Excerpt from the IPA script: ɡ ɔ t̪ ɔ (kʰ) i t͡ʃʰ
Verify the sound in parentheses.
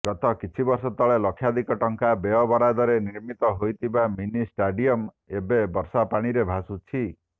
incorrect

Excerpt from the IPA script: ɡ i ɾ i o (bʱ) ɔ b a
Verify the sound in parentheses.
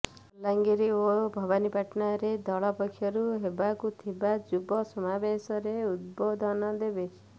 correct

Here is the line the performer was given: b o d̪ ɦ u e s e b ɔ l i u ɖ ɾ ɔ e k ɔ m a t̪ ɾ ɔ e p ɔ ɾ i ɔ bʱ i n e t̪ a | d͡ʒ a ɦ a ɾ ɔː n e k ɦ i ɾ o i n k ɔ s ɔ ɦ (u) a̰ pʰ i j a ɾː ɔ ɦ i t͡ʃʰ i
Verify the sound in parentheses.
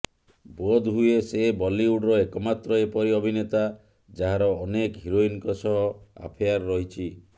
incorrect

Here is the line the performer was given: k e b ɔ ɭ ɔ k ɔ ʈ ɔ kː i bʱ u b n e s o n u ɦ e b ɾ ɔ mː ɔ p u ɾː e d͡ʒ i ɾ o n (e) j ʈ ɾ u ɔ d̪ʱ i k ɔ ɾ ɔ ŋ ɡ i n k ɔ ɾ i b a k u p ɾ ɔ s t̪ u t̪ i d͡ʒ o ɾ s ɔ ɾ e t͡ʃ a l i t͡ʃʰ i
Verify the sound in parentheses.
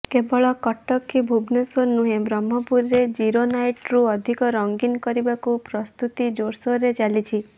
incorrect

